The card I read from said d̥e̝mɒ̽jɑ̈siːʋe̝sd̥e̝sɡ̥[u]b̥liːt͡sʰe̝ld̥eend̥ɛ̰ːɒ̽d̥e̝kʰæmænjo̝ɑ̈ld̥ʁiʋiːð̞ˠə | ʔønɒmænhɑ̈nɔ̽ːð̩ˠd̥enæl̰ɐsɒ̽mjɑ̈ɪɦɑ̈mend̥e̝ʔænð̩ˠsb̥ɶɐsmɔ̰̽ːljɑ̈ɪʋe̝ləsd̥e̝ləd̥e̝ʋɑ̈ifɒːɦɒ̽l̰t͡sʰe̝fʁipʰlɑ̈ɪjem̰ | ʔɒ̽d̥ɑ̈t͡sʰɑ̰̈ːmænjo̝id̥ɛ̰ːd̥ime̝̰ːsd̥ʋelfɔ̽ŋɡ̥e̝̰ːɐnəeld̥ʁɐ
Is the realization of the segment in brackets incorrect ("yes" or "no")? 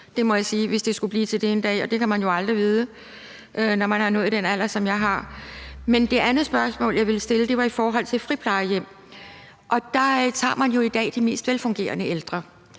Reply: no